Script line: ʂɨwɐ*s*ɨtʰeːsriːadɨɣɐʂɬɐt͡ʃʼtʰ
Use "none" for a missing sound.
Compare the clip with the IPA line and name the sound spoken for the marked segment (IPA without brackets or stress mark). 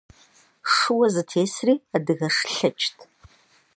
z